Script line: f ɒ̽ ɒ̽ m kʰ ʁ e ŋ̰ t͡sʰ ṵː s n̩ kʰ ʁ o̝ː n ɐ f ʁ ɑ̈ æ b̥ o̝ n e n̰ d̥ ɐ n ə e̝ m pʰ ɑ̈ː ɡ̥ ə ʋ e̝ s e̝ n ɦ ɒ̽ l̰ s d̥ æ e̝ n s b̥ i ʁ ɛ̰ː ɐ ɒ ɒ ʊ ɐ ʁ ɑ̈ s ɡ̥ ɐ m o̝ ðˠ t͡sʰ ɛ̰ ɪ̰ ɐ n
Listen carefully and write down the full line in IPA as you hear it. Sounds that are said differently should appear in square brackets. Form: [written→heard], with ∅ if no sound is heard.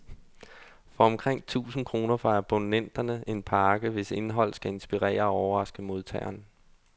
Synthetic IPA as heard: f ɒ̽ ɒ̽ m kʰ ʁ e ŋ̰ t͡sʰ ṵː s n̩ kʰ ʁ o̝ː n ɐ f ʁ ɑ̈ æ b̥ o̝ n e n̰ d̥ ɐ n ə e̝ [m→n] pʰ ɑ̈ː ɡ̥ ə ʋ e̝ s e̝ n ɦ ɒ̽ l̰ s [d̥→ɡ̥] æ e̝ n s b̥ i ʁ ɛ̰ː ɐ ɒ ɒ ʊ ɐ ʁ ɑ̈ s ɡ̥ [ɐ→ə] m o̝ ðˠ t͡sʰ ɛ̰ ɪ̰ ɐ n